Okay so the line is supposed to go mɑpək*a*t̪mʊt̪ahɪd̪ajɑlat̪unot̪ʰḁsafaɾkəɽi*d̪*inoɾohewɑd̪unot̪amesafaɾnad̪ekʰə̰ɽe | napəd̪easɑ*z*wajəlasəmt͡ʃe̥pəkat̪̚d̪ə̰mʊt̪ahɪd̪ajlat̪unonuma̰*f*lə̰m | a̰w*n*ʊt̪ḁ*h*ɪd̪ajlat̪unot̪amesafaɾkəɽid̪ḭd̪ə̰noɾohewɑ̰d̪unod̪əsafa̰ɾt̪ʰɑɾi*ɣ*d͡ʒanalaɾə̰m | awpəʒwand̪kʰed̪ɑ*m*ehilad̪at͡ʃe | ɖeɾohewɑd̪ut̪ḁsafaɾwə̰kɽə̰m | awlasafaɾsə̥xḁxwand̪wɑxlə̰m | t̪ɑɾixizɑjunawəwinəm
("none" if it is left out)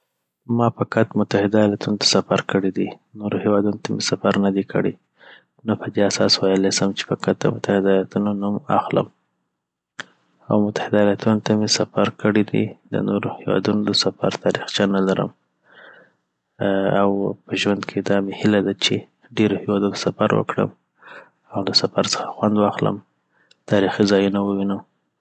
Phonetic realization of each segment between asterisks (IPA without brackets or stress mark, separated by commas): a, d̪, s, x, m, h, x, m